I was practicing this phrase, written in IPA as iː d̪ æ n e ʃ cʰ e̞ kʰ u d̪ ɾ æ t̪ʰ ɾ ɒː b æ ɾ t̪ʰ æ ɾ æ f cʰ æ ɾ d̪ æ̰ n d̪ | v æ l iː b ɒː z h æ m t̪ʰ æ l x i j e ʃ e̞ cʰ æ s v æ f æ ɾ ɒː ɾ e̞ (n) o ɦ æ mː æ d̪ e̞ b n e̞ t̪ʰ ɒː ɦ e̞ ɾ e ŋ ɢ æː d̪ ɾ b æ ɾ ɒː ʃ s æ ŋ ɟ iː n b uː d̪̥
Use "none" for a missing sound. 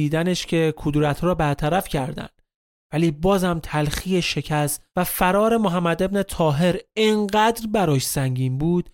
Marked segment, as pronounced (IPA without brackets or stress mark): m